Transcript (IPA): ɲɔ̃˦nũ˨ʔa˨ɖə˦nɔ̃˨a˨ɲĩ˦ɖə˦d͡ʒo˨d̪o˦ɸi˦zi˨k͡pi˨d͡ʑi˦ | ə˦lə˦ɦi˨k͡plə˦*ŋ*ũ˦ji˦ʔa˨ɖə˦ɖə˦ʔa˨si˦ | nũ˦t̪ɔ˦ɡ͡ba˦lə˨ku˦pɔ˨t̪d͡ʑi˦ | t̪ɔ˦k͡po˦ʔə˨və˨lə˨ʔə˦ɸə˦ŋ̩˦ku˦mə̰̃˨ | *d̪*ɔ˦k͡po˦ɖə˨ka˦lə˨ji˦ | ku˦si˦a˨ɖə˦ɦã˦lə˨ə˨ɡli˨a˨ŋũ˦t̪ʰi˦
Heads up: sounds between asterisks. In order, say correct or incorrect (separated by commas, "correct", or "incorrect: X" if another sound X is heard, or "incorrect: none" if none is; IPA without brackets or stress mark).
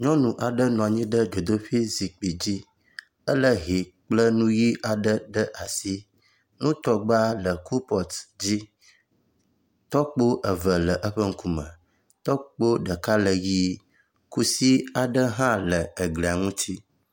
incorrect: n, incorrect: t̪